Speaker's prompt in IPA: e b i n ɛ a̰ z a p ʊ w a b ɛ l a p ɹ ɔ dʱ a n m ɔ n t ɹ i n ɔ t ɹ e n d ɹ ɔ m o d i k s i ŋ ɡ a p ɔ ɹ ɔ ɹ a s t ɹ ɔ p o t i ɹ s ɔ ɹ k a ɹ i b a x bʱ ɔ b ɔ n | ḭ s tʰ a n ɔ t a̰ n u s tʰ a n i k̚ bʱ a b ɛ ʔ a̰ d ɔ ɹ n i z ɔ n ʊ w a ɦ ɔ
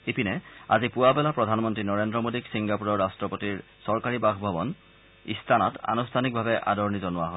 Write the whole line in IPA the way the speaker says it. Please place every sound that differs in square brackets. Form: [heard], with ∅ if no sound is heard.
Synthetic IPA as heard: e [p] i n ɛ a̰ z [i] p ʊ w a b ɛ l a p ɹ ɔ dʱ a n m ɔ n t ɹ i n ɔ [∅] ɹ e n d ɹ ɔ m o d i k s i ŋ ɡ a p [u] ɹ ɔ ɹ a s t ɹ ɔ p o t i ɹ s ɔ ɹ k a ɹ i b a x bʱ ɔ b ɔ n | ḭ s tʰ a n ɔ t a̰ n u s tʰ a n i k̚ bʱ a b ɛ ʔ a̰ d ɔ ɹ n i z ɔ n ʊ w a ɦ ɔ